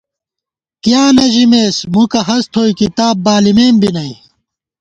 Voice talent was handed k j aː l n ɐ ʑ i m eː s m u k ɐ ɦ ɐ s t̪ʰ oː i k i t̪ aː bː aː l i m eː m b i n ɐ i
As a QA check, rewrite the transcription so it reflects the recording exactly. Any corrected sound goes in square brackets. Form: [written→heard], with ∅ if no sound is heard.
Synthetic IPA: k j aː [l→∅] n ɐ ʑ i m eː s m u k ɐ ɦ ɐ s t̪ʰ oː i k i t̪ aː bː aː l i m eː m b i n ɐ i